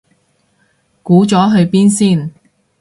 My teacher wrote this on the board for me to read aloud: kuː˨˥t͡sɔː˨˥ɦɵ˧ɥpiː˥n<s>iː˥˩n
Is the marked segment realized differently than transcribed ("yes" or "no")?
no